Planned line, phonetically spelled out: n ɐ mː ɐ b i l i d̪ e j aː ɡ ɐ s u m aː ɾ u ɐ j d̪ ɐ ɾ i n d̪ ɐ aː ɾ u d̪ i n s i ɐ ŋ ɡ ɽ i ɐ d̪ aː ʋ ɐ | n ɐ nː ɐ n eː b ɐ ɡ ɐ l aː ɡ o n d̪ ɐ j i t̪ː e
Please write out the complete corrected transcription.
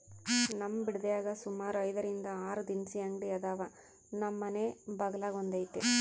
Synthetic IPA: n ɐ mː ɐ b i ɽ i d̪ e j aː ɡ ɐ s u m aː ɾ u ɐ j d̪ ɐ ɾ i n d̪ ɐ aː ɾ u d̪ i n s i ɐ ŋ ɡ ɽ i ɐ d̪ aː ʋ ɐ | n ɐ mː ɐ n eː b ɐ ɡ ɐ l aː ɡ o n d̪ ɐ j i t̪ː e